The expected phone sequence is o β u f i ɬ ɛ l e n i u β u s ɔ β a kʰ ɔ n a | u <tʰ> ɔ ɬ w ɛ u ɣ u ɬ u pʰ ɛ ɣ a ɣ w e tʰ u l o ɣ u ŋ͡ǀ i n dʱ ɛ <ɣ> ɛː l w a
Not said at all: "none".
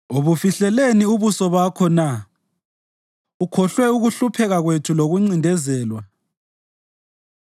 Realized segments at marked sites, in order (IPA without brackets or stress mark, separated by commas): kʰ, z